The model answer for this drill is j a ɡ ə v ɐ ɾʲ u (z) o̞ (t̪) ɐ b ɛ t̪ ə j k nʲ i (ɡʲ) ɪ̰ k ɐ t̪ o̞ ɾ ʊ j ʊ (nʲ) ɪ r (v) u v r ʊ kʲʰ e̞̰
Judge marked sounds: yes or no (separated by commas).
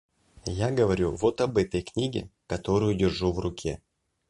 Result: no, yes, yes, no, no